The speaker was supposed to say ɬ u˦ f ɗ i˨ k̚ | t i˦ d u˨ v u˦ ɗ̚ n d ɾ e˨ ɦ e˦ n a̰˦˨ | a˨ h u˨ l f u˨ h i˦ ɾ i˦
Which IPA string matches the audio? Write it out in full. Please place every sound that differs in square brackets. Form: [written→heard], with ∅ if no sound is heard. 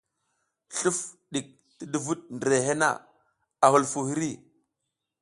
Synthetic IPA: ɬ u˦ f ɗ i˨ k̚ | t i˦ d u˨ v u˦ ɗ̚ n d ɾ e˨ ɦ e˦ n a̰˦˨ | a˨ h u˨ l f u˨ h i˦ ɾ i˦